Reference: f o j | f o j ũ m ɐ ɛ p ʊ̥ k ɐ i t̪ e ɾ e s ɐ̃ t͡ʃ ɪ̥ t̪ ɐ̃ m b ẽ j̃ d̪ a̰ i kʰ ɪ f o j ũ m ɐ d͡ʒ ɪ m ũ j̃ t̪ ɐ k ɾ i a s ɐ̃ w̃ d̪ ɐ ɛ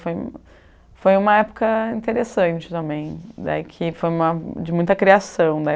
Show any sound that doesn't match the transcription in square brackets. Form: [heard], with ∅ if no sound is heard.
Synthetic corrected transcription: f o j | f o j ũ m ɐ ɛ p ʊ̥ k ɐ [ĩ] t̪ e ɾ e s ɐ̃ t͡ʃ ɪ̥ t̪ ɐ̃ m b ẽ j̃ d̪ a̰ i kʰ ɪ f o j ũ m ɐ d͡ʒ ɪ m ũ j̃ t̪ ɐ k ɾ i a s ɐ̃ w̃ d̪ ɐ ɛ